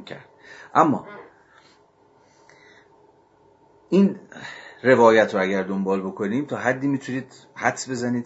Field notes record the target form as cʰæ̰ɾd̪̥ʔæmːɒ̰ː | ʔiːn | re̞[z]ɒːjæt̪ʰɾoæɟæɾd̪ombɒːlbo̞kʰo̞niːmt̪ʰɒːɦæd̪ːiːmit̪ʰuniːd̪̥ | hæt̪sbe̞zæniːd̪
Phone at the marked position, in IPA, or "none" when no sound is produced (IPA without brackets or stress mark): v